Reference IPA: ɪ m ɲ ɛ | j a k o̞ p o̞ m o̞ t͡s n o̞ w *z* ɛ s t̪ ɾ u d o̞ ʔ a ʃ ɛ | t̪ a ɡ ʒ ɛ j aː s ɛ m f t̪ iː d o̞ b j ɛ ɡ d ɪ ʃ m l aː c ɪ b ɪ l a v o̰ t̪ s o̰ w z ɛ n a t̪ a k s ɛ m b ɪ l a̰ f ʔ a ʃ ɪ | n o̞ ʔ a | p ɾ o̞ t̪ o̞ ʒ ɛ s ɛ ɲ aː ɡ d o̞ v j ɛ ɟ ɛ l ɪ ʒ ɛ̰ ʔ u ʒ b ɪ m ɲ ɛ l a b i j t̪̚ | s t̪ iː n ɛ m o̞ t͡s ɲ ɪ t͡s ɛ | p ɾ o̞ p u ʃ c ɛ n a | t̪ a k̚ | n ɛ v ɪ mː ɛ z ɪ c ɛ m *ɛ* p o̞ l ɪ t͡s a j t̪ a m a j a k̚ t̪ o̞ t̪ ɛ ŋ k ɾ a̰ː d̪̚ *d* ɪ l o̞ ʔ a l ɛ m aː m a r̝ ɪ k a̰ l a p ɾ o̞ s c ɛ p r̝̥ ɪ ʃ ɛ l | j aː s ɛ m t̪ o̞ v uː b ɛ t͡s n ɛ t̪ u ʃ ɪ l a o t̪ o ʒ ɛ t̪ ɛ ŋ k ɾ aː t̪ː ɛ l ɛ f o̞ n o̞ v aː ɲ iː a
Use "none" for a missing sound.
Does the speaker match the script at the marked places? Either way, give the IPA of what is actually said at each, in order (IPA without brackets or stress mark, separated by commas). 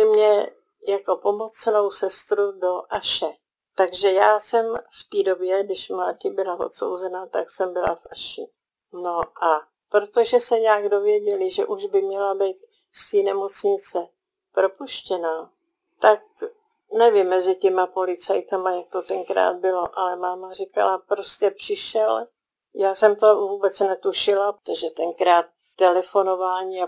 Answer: s, a, b